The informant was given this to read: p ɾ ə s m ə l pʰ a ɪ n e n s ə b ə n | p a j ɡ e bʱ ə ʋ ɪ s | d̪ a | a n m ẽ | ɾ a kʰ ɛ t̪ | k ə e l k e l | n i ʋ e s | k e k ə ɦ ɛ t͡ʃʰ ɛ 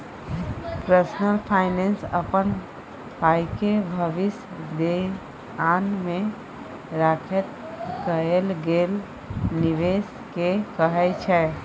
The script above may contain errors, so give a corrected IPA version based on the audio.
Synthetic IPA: p ɾ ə s n ə l pʰ a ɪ n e n s ə p ə n | p a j k e bʱ ə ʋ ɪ s | d̪ e | a n m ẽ | ɾ a kʰ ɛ t̪ | k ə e l ɡ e l | n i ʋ e s | k e k ə ɦ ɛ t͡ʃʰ ɛ